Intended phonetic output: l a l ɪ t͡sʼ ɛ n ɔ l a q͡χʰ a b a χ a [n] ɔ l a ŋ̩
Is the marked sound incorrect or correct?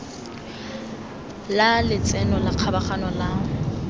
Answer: correct